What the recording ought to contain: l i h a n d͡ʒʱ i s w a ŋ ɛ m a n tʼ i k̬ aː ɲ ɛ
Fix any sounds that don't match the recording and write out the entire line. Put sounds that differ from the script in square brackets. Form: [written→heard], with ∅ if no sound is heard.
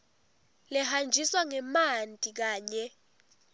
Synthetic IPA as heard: l [i→ɛ] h a n d͡ʒʱ i s w a ŋ ɛ m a n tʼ i k̬ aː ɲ ɛ